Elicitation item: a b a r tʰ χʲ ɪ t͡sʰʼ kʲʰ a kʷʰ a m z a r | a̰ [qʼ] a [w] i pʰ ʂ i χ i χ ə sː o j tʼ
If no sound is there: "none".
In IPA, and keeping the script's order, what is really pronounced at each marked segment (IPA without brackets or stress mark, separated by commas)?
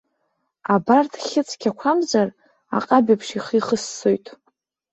qʼ, b